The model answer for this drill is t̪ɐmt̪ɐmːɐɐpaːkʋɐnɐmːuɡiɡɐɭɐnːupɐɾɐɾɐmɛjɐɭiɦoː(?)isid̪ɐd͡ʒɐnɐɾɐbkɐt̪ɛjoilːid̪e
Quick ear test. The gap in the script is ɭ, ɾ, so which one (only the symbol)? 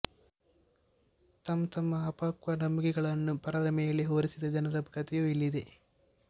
ɾ